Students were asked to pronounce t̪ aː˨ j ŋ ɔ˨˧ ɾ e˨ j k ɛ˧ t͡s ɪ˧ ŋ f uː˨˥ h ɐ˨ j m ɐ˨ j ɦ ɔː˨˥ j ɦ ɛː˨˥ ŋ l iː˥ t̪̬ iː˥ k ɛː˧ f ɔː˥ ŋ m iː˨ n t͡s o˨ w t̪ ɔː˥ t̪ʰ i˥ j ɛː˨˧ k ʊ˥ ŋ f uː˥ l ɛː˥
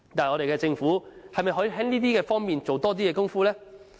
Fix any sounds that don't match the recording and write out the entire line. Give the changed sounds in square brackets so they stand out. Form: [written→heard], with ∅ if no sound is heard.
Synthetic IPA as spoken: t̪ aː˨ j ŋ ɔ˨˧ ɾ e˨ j k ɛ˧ t͡s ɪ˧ ŋ f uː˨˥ h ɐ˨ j m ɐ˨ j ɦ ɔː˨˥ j ɦ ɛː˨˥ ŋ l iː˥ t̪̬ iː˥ k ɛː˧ f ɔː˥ ŋ m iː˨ n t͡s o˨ w t̪ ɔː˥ [t̪ʰ→t̪] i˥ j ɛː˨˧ k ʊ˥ ŋ f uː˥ l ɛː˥